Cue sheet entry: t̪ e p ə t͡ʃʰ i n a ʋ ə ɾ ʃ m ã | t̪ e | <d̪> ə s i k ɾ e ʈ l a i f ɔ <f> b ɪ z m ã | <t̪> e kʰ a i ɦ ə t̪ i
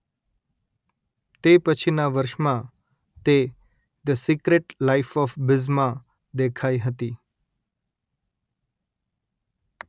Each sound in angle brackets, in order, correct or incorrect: correct, correct, incorrect: d̪

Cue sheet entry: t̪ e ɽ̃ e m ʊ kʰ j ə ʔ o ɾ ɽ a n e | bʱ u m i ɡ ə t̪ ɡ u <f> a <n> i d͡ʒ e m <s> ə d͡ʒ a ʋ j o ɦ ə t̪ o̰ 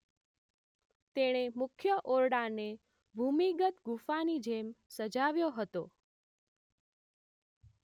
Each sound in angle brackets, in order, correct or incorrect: correct, correct, correct

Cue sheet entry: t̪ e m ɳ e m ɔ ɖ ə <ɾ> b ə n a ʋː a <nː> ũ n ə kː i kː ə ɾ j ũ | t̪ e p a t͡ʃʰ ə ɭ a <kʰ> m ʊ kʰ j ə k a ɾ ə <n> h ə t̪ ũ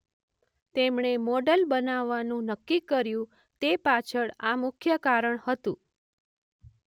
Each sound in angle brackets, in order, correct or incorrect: incorrect: l, incorrect: n, incorrect: none, incorrect: ɳ

